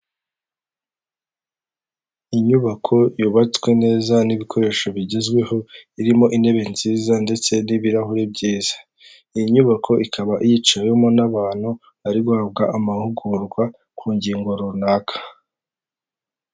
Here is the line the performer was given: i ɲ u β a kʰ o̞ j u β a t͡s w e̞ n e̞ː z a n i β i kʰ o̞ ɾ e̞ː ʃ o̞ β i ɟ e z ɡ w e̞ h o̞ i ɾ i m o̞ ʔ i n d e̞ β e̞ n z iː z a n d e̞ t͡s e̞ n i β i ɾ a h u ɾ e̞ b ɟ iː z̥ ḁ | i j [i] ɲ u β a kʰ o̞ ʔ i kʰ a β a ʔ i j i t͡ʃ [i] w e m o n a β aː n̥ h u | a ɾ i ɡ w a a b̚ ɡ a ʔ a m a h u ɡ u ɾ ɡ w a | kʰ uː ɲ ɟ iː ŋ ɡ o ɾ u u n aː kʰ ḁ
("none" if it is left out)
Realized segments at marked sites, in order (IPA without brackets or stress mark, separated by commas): i, a